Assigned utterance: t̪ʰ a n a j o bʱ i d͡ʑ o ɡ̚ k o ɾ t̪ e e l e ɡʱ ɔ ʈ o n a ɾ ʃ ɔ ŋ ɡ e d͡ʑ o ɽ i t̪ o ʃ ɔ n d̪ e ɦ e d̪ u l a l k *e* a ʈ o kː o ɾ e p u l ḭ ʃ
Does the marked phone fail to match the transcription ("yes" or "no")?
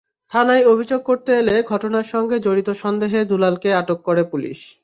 no